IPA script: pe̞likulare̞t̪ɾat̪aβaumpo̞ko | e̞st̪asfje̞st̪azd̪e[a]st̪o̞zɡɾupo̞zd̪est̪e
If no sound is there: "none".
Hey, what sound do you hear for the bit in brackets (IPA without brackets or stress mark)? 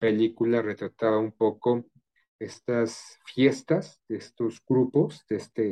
e